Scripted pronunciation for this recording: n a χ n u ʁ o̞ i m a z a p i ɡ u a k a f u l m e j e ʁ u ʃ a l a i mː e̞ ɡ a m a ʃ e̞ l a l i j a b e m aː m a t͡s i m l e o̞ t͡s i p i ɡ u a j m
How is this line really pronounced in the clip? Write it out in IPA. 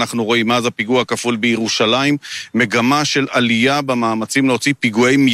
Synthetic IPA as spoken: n a χ n u ʁ o̞ i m a z a p i ɡ u a k a f u l b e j e ʁ u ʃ a l a i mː e̞ ɡ a m a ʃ e̞ l a l i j a b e m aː m a t͡s i m l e o̞ t͡s i p i ɡ u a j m